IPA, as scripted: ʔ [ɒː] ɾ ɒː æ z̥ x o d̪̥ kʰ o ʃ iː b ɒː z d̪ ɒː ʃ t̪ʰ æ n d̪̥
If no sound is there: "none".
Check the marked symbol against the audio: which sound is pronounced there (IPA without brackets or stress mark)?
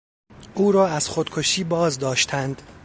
uː